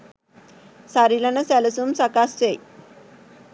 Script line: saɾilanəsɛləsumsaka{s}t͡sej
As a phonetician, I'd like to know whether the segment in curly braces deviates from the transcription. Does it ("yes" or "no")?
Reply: no